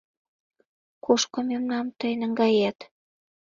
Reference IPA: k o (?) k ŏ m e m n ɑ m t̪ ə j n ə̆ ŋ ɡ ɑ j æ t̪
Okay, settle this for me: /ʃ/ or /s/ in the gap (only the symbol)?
ʃ